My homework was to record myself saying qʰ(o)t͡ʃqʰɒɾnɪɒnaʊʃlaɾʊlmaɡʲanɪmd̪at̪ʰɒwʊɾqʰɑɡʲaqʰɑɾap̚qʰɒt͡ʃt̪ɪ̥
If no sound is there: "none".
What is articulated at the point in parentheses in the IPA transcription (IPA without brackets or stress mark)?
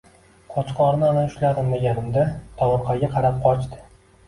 ɒ